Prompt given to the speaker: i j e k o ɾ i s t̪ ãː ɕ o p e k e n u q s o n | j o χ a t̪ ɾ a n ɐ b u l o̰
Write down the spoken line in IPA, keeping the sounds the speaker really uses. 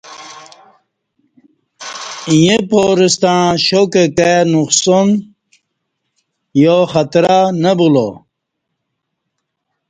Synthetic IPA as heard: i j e p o ɾ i s t̪ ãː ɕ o k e k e n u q s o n | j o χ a t̪ ɾ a n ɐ b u l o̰